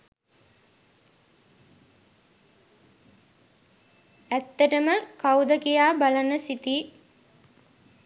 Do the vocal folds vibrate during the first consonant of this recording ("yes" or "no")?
no